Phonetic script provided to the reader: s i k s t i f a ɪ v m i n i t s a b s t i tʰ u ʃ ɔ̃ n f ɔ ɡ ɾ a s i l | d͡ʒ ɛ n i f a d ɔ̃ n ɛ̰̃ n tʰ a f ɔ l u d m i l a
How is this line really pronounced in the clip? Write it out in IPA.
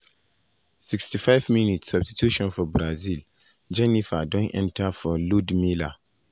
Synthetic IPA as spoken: s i k s t i f a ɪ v m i n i t s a b s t i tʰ u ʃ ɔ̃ n f ɔ b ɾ a z i l | d͡ʒ ɛ n i f a d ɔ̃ n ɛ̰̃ n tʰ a f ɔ l u d m i l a